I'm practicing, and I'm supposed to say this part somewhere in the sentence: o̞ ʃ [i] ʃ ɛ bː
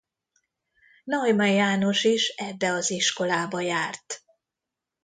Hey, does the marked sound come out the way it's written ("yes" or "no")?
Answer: yes